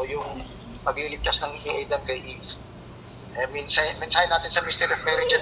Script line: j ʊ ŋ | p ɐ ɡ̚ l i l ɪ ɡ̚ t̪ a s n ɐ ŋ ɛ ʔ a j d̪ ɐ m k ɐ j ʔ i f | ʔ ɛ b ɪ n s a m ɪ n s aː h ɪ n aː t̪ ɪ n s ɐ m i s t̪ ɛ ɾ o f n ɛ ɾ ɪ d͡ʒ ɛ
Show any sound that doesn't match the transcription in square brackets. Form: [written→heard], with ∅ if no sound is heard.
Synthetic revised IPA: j ʊ ŋ | p ɐ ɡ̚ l i l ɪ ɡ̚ t̪ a s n ɐ ŋ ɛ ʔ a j d̪ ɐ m k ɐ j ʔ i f | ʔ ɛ [b→m] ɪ n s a m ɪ n s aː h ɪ n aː t̪ ɪ n s ɐ m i s t̪ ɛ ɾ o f [n→m] ɛ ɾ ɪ d͡ʒ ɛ